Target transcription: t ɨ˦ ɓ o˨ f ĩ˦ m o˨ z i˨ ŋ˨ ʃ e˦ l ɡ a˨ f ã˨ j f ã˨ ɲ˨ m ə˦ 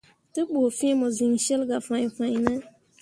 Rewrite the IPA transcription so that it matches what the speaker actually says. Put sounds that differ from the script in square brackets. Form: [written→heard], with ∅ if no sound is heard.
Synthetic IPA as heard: t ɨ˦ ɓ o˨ f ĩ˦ m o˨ z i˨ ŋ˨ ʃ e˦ l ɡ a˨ f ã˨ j f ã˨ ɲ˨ [m→n] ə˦